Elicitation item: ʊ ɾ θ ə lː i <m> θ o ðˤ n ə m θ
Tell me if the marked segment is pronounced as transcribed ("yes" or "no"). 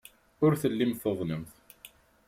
yes